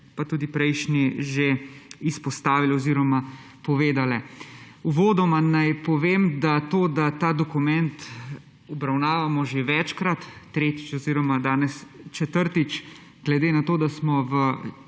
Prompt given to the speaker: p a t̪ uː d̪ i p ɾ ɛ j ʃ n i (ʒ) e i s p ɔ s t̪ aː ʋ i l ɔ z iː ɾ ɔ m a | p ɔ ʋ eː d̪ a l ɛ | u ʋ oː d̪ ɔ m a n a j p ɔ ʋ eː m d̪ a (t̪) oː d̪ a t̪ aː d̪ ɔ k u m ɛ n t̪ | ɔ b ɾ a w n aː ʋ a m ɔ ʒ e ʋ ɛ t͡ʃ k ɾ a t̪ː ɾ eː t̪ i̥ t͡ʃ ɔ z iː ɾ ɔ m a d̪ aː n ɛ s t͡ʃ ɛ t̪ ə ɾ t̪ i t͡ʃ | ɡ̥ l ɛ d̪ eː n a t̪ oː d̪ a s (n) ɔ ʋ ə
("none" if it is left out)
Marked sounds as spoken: ʒ, t̪, m

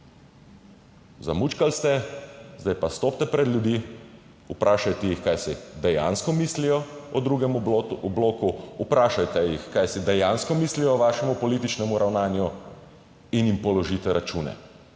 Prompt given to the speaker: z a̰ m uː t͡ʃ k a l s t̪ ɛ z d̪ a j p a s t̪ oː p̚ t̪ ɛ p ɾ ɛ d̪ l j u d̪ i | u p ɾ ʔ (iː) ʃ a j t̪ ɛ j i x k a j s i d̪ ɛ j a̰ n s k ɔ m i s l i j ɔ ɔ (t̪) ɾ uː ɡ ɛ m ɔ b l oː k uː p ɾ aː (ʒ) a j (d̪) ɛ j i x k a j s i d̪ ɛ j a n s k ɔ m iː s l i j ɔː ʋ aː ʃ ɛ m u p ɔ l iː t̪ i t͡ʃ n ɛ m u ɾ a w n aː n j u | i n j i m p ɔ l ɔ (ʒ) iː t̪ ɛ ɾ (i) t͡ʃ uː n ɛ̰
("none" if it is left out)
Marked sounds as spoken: aː, d̪, ʃ, t̪, ʒ, a

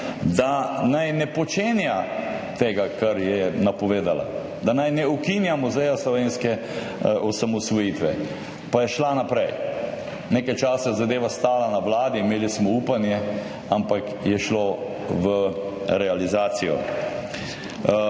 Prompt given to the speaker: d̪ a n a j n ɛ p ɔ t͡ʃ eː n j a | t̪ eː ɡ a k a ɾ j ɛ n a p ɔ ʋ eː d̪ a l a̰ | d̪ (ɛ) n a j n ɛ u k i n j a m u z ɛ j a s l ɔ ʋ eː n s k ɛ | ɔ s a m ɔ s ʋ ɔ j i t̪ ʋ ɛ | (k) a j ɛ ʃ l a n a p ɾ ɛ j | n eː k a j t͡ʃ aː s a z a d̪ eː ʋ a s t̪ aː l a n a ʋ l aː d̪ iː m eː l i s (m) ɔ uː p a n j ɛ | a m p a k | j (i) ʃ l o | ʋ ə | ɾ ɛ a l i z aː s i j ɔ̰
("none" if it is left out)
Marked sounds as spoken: a, p, m, ɛ

